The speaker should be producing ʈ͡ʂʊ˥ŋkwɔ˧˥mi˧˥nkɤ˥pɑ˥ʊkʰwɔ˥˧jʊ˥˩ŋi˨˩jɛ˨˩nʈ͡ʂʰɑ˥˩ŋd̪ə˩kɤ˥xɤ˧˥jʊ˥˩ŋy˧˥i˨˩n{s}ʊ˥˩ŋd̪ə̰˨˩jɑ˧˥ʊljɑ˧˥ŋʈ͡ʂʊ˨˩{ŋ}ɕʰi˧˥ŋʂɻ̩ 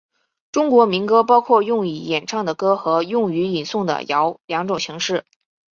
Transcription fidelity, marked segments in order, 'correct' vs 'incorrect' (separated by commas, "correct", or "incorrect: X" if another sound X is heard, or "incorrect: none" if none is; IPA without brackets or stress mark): correct, correct